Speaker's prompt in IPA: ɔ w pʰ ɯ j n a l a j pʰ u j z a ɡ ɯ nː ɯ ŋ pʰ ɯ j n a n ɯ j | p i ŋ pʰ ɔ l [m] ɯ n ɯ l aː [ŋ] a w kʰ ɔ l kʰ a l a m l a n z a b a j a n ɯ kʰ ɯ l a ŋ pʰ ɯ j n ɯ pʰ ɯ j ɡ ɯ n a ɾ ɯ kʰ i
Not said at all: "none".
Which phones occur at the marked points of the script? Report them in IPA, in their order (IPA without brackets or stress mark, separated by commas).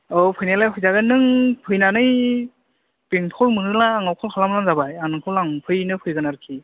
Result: m, ŋ